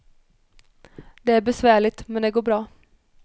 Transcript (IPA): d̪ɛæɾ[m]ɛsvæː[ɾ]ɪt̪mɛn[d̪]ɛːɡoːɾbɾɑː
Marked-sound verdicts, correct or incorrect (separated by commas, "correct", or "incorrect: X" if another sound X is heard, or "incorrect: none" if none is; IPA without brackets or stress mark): incorrect: b, incorrect: ɭ, correct